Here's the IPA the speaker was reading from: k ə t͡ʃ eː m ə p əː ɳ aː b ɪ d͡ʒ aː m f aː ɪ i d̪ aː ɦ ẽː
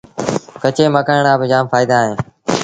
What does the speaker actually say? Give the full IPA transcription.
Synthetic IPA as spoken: k ə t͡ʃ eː m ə k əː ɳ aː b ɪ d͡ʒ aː m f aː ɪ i d̪ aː ɦ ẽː